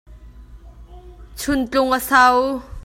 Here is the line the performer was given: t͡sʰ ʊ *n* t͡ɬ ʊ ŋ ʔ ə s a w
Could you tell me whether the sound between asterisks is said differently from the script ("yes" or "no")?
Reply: no